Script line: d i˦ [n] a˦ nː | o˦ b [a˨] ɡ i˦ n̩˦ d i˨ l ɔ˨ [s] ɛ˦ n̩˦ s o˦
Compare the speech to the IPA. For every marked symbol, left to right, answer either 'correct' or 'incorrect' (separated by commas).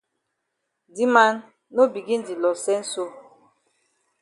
incorrect, incorrect, correct